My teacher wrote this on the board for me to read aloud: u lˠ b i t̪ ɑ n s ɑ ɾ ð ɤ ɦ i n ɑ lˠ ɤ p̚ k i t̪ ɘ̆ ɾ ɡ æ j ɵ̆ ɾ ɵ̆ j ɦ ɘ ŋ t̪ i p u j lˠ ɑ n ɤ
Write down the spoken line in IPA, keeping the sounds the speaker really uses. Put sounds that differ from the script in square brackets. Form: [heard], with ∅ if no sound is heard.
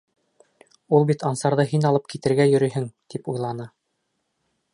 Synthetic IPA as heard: u lˠ b i t̪ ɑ n s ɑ ɾ ð ɤ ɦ i n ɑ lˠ ɤ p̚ k i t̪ ɘ̆ ɾ ɡ æ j ɵ̆ ɾ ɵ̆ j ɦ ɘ ŋ t̪ i p u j lˠ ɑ n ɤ